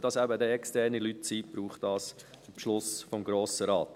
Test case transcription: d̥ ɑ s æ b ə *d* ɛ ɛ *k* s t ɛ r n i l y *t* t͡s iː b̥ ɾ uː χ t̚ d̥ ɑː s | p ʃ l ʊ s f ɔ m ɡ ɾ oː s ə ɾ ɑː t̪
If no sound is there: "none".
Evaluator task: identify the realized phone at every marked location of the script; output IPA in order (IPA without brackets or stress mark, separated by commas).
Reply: d, k, t